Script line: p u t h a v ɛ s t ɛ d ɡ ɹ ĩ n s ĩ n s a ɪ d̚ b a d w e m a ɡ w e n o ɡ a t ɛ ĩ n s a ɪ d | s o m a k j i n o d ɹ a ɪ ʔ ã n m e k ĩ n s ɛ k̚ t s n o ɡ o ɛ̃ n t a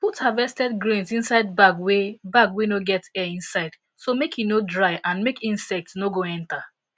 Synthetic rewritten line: p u t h a v ɛ s t ɛ d ɡ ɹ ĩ n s ĩ n s a ɪ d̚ b a ɡ w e b a ɡ w e n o ɡ ɛ t ɛ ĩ n s a ɪ d | s o m e k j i n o d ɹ a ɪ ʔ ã n m e k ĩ n s ɛ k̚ t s n o ɡ o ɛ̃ n t a